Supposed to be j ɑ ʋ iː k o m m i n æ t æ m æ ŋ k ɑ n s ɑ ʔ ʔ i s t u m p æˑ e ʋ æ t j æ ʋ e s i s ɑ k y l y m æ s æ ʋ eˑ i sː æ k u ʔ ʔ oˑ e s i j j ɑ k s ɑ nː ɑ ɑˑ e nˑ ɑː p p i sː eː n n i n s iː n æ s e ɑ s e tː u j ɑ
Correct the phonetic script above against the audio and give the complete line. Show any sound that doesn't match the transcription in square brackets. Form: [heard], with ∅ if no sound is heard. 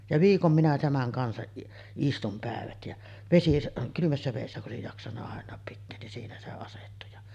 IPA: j ɑ ʋ iː k o m m i n æ t æ m æ ŋ k ɑ n s ɑ ʔ ʔ i s t u m p æˑ e ʋ æ t j æ ʋ e s i s ɑ k y l y m æ [sː] æ ʋ eˑ i sː æ k u ʔ ʔ oˑ e s i j j ɑ k s ɑ nː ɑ ɑˑ e nˑ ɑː p p i [tː] eː n n i n s iː n æ s e ɑ s e tː u j ɑ

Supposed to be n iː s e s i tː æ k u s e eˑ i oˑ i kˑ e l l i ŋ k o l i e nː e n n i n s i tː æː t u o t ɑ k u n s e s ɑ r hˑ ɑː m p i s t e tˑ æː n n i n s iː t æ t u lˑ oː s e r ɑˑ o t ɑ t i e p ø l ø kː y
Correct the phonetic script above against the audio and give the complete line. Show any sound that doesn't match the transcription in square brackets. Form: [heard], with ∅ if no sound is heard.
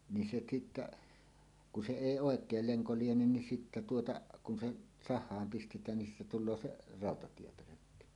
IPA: n [i] s e s i tː æ k u s e eˑ i oˑ [e] kˑ e l l [e] ŋ k o l i e [n] e n n i n s i tː [æ] t u o t ɑ k u n s e s ɑ [∅] hˑ ɑː m p i s t e tˑ æː n n i n s iː t æ t u lˑ oː s e r ɑˑ o t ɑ t i e p ø l ø kː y

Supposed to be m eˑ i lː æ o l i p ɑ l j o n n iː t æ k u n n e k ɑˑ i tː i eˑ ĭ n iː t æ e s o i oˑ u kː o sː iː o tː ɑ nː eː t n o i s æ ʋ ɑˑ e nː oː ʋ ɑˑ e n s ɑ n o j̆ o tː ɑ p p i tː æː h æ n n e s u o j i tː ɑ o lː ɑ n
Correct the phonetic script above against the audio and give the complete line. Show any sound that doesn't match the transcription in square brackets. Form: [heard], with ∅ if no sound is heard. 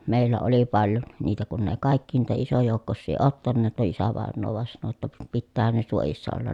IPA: m eˑ i lː æ o l i p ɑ l j o n n iː t æ k u n n e k ɑˑ i [kː] i eˑ ĭ n iː t æ [i] s o [j] oˑ u kː o sː iː o tː ɑ nː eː t n o i s æ ʋ ɑˑ e nː oː ʋ ɑˑ e n s ɑ n o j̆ o tː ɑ p p i tː æː h æ n n e s u o j i [sː] ɑ o lː ɑ n

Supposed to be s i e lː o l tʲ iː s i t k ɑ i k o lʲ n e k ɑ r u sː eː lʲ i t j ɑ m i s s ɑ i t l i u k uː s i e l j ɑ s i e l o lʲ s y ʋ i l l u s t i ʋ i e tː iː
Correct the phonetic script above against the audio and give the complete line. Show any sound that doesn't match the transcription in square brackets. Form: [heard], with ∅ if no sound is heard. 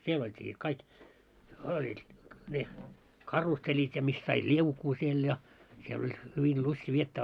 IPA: s i e [l] o l tʲ iː s i t k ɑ i k o lʲ n e k ɑ r u sː [e] lʲ i t j ɑ m i s s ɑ i t l i u k uː s i e l j ɑ s i e l o lʲ [h] y ʋ i l l u s t i ʋ i e tː [æː]

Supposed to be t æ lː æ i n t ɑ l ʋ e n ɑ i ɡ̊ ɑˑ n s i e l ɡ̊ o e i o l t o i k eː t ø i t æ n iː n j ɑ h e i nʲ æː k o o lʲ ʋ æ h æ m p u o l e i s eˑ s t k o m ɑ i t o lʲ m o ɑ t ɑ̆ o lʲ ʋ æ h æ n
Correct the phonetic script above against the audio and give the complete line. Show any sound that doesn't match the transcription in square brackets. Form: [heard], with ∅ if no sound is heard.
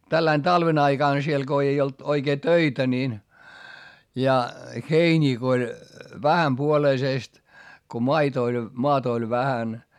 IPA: t æ lː æ i n t ɑ l ʋ e n ɑ i ɡ̊ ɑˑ n s i e l ɡ̊ o e i o l t o i k eː t ø i t æ n iː n j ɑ h e i nʲ [iː] k o o lʲ ʋ æ h æ m p u o l e i s eˑ s t k o m ɑ i t o lʲ m o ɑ t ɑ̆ o lʲ ʋ æ h æ n

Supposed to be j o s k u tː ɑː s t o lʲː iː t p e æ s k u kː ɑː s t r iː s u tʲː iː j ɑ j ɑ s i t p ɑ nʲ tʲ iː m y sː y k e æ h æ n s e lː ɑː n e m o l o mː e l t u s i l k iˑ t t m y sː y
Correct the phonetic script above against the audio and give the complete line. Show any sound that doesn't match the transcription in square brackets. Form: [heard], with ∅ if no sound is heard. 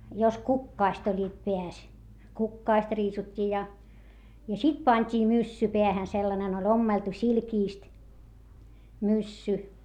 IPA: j o s k u [kː] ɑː s t o lʲː iː t p e æ s k u kː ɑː s t r iː s u tʲː iː j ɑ j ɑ s i t p ɑ nʲ tʲ iː m y sː y [p] e æ h æ n s e lː [ɑ] n e [n] o l o mː e l t u s i l k iˑ [s] t m y sː y

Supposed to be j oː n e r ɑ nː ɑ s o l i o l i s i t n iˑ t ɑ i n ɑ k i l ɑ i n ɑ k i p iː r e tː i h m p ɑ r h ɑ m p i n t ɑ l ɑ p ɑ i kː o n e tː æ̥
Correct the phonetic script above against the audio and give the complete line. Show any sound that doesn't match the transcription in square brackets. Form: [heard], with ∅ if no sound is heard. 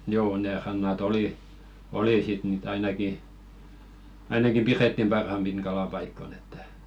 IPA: j oː n e r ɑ nː ɑ [t] o l i o l i s i t n iˑ t ɑ i n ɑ k i [∅] ɑ i n ɑ k i p [i] r e tː i [∅] m p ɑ r h ɑ m p i n [k] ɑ l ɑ p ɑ i kː o n e tː æ̥

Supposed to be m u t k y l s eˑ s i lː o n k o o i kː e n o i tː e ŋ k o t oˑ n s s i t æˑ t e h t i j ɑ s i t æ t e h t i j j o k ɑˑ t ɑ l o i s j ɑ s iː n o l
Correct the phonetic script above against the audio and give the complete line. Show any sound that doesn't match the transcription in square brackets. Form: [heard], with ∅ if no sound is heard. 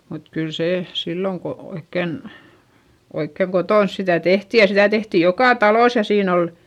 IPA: m u t k y l s eˑ s i lː o [ŋ] k o o i kː e n o i [kː] e ŋ k o t oˑ n s s i t æˑ t e h t i j ɑ s i t æ t e h t i j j o k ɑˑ t ɑ l o i s j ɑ s iː n o l

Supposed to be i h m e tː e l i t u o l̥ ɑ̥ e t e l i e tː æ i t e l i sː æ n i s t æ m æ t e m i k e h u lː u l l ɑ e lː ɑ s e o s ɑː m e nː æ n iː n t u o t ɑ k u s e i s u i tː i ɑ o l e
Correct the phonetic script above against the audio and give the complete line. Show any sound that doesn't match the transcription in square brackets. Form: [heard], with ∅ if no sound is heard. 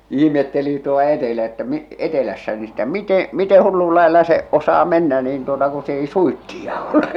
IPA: i h m e tː e l i t u o l̥ ɑ̥ e t e l [æ] e tː æ [e] t e l [æ] sː æ n i s t æ m [i] t e m i [t] e h u lː u l l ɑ e lː ɑ s e o s ɑː m e nː æ n iː n t u o t ɑ k u s e i s u i tː i ɑ o l e

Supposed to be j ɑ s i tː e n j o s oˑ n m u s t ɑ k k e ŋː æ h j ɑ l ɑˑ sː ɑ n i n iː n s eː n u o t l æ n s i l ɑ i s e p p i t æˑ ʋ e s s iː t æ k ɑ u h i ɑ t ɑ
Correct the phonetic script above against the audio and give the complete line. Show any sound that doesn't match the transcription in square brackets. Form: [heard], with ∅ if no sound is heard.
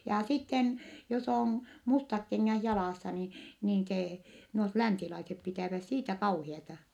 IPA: j ɑ s i tː e n j o s oˑ n m u s t ɑ k k e ŋː æ h j ɑ l ɑˑ sː ɑ n i n iː n s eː n u o t l æ n s i l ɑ i s e p p i t æˑ ʋ [æ] s s iː t æ k ɑ u h i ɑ t ɑ

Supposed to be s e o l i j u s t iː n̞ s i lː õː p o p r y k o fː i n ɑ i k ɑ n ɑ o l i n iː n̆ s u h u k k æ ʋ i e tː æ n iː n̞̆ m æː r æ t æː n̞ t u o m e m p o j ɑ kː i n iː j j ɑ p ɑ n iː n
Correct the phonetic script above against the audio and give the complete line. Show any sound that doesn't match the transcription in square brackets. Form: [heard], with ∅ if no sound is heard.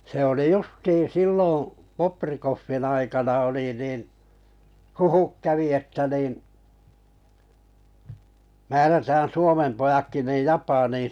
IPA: s e o l i j u s t iː n̞ s i lː õː p o p r [i] k o fː i n ɑ i k ɑ n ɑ o l i n iː n̆ [h] u h u k k æ ʋ i e tː æ n iː n̞̆ m æː r æ t æː n̞ [s] u o m e m p o j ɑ kː i n iː j j ɑ p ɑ n iː n

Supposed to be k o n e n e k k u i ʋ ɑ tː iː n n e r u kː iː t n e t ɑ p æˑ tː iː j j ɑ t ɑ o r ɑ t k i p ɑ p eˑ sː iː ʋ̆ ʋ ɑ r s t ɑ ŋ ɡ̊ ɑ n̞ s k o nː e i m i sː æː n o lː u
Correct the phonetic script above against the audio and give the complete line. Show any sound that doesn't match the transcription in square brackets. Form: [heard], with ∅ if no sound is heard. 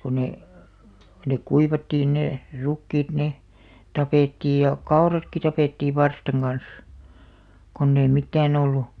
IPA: k o n e n e k k u i ʋ ɑ tː iː n n e r u kː iː t n e t ɑ p [eˑ] tː iː j j ɑ [k] ɑ o r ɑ t k i [t] ɑ p eˑ [tː] iː ʋ̆ ʋ ɑ r s t ɑ ŋ ɡ̊ ɑ n̞ s k o nː e i m i [tː] æː n o lː u

